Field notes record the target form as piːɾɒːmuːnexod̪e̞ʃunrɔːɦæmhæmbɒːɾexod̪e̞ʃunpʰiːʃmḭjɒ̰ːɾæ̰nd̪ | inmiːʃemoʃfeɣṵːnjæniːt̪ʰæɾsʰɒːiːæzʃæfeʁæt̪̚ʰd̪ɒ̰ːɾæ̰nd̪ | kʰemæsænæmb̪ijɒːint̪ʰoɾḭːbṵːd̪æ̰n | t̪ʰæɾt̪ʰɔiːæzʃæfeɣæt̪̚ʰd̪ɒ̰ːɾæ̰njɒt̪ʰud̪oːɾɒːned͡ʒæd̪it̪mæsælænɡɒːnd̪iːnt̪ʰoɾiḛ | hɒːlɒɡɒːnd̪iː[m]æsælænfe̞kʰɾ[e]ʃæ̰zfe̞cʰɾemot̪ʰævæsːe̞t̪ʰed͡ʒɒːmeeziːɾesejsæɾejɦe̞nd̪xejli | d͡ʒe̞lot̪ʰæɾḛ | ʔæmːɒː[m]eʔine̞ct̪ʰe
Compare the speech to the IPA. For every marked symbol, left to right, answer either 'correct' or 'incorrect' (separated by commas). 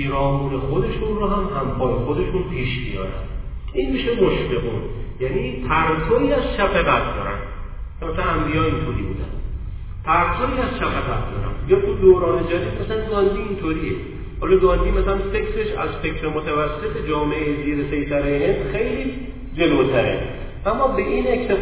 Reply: correct, correct, incorrect